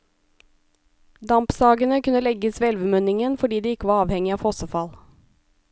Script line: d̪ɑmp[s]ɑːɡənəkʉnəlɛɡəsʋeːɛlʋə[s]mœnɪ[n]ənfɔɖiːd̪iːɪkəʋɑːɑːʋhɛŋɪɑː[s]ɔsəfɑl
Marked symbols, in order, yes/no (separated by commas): yes, no, no, no